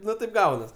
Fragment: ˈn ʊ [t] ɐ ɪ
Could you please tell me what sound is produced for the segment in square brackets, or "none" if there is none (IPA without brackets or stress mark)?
t